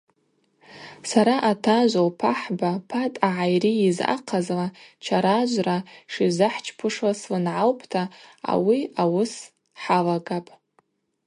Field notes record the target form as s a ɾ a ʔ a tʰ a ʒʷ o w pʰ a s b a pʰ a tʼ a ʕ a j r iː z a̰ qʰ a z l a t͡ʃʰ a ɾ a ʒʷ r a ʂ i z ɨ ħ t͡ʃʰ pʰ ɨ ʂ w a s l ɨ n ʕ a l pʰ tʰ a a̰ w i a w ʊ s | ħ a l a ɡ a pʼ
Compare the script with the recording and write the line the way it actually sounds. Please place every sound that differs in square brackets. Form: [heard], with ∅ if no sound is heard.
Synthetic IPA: s a ɾ a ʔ a tʰ a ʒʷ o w pʰ a [ħ] b a pʰ a tʼ a ʕ a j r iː z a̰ qʰ a z l a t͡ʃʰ a ɾ a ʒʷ r a ʂ i z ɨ ħ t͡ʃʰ pʰ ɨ ʂ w a s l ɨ n ʕ a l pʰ tʰ a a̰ w i a w ʊ s | ħ a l a ɡ a pʼ